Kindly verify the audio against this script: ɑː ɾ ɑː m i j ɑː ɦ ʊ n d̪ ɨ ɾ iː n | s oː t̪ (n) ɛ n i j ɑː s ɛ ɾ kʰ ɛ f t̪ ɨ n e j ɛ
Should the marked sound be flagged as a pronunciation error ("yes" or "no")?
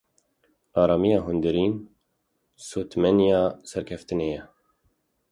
yes